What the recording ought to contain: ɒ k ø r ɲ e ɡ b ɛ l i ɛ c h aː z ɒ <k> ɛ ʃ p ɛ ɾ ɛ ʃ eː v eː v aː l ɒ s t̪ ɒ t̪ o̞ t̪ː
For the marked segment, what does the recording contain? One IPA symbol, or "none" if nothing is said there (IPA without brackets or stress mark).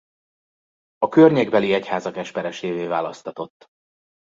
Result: k